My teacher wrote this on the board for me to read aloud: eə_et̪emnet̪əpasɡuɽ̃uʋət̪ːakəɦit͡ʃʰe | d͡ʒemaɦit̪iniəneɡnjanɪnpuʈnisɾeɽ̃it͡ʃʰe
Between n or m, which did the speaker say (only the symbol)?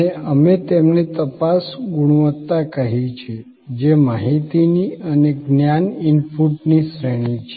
m